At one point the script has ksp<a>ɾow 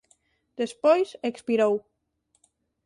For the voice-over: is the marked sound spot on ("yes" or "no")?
no